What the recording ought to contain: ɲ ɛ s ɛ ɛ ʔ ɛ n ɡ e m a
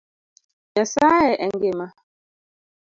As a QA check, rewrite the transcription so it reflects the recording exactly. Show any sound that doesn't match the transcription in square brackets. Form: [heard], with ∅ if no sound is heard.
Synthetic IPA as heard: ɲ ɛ s [a] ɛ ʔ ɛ [ŋ] ɡ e m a